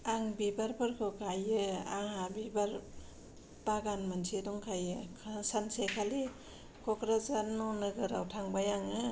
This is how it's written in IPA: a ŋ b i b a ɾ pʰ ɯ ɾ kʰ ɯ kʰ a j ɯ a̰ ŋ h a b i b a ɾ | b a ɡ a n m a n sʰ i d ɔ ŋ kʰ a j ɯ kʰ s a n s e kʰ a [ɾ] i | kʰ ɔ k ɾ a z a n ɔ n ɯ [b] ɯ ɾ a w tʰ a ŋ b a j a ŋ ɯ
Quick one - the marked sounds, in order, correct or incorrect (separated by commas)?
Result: incorrect, incorrect